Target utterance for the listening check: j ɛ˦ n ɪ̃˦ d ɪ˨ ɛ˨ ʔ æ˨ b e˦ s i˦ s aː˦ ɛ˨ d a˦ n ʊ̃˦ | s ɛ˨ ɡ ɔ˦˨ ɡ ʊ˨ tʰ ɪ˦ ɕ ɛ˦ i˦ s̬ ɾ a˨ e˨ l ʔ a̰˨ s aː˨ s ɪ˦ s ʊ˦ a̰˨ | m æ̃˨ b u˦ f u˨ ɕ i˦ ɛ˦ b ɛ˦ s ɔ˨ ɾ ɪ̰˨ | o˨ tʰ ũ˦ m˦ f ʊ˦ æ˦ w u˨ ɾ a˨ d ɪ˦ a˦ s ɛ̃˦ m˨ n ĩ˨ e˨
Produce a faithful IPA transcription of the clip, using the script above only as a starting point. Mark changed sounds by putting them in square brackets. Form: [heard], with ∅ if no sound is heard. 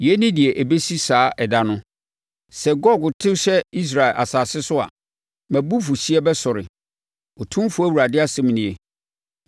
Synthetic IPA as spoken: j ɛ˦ n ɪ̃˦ d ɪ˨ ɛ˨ ʔ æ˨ b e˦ s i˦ s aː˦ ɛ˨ d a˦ n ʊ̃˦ | s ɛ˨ ɡ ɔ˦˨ ɡ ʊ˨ tʰ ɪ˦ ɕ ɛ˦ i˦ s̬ ɾ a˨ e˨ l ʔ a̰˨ s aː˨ s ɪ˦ s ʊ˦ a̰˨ | m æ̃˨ b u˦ f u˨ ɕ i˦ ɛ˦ b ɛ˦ s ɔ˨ ɾ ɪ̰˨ | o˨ tʰ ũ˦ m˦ f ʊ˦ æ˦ w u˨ ɾ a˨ d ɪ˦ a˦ s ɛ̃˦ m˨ n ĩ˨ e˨